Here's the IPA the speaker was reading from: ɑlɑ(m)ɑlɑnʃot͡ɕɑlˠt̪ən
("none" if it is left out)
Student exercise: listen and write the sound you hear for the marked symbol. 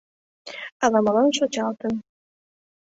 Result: m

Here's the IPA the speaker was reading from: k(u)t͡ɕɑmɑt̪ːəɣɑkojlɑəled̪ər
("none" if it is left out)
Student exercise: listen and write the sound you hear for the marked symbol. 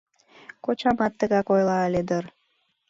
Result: o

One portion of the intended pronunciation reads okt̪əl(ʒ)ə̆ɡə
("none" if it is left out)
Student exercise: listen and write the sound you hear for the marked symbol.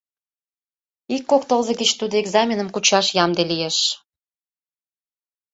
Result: z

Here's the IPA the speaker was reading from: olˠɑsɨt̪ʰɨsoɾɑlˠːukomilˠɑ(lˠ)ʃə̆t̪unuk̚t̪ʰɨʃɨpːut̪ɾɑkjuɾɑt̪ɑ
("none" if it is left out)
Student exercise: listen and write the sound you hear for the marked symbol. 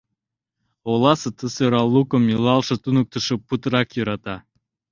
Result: lˠ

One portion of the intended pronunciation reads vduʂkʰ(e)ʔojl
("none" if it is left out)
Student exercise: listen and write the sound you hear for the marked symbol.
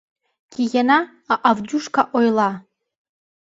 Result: a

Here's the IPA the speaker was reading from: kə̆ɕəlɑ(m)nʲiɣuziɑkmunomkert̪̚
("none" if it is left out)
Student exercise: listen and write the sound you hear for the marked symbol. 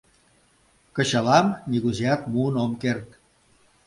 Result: m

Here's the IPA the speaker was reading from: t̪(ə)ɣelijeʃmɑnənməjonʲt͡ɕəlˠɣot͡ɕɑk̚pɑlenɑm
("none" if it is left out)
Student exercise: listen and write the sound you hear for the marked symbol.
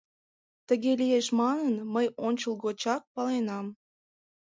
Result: ə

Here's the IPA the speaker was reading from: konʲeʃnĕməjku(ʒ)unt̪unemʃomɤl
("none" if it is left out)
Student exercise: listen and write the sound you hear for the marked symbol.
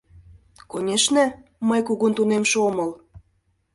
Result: ɣ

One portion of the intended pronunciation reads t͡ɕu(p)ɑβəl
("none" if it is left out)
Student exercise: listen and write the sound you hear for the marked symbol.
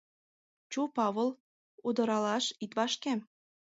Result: p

